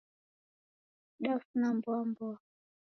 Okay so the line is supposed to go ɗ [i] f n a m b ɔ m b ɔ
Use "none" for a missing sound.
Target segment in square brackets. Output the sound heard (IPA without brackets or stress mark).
a